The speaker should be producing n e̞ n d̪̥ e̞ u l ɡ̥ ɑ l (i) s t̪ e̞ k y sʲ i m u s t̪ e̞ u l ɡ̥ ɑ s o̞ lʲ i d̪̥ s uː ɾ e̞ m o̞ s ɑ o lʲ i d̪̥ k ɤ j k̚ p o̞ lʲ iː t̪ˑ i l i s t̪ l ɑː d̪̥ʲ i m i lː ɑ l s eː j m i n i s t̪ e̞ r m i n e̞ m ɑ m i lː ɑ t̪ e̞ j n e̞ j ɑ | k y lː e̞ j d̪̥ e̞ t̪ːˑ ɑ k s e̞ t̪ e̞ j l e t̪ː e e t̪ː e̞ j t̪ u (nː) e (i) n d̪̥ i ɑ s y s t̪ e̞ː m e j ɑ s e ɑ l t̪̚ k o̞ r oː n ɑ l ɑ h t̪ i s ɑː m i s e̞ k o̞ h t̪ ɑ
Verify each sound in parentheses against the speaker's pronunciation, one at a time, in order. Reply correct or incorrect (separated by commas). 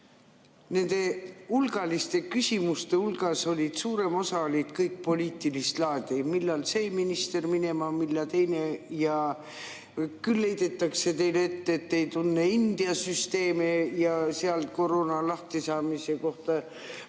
correct, correct, correct